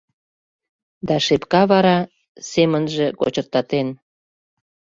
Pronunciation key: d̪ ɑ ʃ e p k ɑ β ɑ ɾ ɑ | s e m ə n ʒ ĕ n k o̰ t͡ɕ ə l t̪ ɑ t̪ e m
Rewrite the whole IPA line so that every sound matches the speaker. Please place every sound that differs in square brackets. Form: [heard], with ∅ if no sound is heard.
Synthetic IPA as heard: d̪ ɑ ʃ e p k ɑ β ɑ ɾ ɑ | s e m ə n ʒ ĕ [∅] k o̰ t͡ɕ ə [r] t̪ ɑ t̪ e [n]